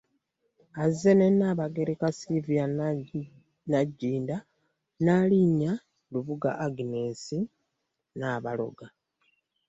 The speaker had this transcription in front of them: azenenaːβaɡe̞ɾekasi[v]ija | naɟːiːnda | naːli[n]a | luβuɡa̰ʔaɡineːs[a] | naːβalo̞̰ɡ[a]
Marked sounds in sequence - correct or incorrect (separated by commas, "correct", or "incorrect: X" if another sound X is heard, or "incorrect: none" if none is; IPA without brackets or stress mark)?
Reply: correct, incorrect: ɲ, incorrect: i, correct